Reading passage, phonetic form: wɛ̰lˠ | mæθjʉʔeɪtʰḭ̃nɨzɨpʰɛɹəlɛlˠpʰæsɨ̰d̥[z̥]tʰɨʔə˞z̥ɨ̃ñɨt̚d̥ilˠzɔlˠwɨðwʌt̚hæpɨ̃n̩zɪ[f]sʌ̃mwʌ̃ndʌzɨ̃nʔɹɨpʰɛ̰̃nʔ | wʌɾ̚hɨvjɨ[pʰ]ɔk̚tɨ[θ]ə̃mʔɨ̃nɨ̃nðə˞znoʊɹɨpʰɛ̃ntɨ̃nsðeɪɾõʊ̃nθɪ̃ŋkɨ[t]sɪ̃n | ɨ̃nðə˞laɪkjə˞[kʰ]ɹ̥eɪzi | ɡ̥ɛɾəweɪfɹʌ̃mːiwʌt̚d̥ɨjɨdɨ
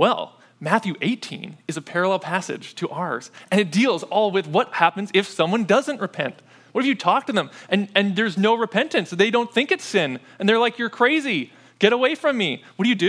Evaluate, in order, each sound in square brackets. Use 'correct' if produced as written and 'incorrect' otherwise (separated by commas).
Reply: incorrect, correct, incorrect, incorrect, correct, correct